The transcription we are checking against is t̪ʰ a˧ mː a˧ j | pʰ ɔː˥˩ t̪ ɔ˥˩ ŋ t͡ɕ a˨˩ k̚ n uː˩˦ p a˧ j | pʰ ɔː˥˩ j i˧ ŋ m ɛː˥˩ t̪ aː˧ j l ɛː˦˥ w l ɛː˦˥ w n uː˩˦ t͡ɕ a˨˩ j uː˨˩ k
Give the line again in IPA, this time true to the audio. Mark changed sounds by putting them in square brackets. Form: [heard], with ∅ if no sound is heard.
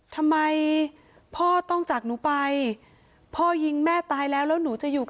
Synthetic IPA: t̪ʰ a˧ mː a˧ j | pʰ ɔː˥˩ t̪ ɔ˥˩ ŋ t͡ɕ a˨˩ k̚ n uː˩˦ p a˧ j | pʰ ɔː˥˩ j i˧ ŋ m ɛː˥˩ t̪ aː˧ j l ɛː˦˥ w l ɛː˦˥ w n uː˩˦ t͡ɕ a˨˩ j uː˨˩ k